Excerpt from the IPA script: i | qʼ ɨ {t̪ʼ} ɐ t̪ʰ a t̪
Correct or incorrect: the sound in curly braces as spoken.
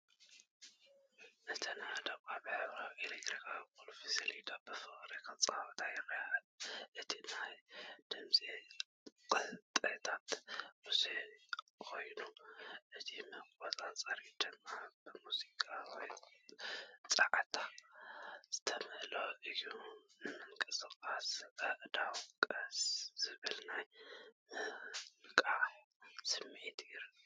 correct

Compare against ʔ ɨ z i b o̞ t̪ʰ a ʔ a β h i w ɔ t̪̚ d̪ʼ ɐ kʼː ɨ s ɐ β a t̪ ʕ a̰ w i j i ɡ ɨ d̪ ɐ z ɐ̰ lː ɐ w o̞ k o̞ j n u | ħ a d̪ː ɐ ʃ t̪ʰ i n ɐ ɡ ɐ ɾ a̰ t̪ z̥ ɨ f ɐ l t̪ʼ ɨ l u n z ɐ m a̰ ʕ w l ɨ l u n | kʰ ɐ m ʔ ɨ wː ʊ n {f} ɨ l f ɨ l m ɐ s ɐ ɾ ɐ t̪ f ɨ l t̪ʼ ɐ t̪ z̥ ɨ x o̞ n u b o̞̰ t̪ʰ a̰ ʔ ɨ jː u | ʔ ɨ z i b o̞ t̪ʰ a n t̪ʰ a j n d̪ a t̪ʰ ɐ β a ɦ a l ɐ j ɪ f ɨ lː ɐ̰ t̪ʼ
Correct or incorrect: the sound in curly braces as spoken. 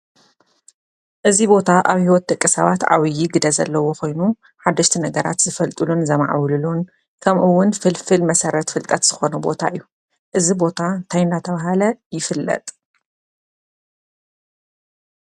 correct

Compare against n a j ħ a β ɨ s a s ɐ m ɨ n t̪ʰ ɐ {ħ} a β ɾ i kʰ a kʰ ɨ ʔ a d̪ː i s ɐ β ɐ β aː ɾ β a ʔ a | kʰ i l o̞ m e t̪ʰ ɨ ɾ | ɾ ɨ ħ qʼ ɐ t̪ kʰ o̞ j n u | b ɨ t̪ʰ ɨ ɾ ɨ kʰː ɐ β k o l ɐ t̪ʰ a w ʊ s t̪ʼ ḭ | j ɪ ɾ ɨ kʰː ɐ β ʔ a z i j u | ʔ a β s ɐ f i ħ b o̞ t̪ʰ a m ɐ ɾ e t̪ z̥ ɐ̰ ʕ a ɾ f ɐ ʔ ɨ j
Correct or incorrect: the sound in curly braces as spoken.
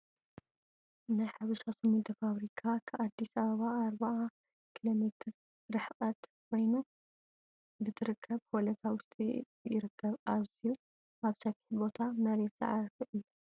incorrect: f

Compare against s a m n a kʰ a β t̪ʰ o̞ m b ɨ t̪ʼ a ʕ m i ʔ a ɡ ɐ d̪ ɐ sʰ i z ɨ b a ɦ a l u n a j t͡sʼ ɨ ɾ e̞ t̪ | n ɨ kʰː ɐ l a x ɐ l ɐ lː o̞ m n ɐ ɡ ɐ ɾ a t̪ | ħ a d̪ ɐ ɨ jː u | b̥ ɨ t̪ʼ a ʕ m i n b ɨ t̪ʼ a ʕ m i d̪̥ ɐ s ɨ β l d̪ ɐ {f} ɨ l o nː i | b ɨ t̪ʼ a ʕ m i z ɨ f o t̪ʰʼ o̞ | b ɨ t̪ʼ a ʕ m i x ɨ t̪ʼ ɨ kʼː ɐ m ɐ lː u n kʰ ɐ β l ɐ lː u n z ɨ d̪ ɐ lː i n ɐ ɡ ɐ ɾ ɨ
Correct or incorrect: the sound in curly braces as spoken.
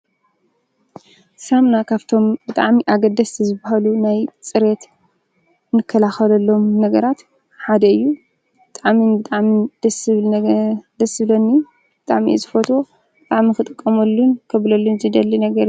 incorrect: s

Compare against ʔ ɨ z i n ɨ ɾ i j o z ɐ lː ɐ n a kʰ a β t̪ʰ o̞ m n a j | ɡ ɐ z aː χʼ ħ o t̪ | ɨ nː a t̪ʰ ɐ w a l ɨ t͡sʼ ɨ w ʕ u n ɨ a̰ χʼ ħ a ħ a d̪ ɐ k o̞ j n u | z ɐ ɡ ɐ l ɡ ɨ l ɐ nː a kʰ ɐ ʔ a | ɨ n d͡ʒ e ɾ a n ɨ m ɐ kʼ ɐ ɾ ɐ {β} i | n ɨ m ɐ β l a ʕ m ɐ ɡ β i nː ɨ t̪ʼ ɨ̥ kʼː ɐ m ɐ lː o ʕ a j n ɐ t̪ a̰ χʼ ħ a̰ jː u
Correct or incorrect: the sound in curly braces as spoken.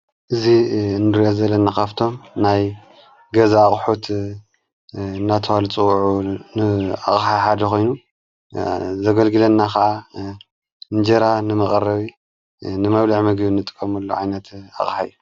correct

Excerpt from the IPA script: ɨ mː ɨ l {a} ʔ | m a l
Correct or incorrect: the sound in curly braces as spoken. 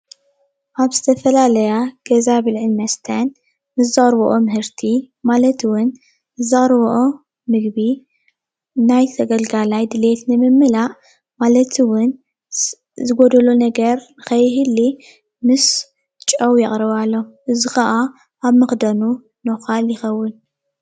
correct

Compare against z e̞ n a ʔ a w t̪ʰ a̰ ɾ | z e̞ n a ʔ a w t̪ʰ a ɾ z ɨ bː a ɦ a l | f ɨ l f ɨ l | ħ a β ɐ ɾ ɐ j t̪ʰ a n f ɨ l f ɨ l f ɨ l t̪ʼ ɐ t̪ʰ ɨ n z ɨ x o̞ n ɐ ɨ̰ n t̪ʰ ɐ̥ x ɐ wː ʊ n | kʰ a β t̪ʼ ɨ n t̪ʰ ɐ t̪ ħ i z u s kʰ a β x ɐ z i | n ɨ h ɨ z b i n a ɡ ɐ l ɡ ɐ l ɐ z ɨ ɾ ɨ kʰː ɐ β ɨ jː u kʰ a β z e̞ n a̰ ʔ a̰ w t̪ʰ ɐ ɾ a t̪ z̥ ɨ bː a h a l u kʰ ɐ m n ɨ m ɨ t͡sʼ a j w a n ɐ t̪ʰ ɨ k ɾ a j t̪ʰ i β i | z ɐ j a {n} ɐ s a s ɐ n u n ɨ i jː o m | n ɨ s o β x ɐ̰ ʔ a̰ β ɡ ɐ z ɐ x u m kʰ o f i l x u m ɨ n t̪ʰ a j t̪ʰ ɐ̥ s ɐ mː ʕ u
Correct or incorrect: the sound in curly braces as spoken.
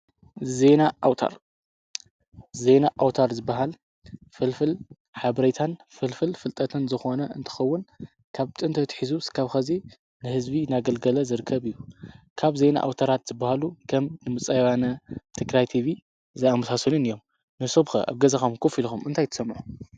incorrect: m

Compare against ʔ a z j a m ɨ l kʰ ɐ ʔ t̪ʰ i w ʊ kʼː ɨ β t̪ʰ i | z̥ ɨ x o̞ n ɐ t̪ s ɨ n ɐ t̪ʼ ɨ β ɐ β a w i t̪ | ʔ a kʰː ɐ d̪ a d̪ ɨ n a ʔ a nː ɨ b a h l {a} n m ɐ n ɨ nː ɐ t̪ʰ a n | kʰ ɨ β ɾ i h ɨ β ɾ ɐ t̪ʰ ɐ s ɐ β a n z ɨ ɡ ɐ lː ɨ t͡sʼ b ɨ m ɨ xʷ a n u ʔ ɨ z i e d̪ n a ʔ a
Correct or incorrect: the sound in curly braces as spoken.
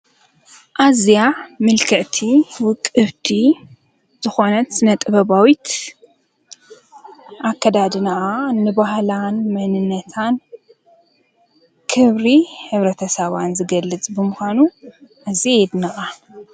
correct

